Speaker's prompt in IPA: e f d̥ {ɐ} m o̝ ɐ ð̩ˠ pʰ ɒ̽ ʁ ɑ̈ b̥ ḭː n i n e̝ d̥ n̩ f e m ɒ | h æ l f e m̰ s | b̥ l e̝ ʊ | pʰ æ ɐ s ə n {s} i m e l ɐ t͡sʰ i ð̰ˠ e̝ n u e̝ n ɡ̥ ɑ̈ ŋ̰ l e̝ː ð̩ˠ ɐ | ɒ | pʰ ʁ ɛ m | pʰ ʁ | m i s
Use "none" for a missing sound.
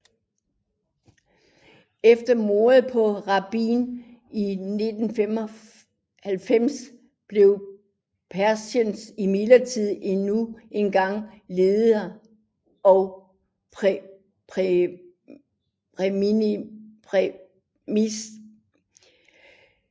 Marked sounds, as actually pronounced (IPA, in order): ɐ, s

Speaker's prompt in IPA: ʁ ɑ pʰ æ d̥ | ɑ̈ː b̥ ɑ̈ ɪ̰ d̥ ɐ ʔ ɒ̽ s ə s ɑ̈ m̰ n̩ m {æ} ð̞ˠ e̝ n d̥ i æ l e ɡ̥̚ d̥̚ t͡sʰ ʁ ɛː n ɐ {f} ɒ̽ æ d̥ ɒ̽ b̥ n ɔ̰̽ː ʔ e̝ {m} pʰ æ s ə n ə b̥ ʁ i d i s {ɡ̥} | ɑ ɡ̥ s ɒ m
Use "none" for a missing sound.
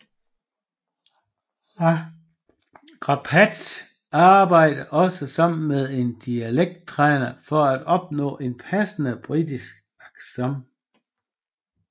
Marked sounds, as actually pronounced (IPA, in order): e, f, n, ɡ̥

